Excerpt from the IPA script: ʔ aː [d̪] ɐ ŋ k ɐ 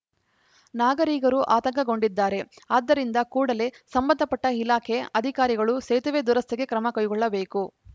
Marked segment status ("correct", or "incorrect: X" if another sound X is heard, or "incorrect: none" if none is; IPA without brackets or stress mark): incorrect: t̪